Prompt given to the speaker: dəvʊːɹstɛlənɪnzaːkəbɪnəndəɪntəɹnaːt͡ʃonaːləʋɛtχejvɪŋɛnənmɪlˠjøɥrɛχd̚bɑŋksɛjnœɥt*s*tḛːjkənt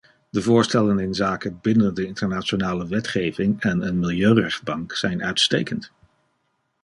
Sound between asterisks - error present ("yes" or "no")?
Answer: no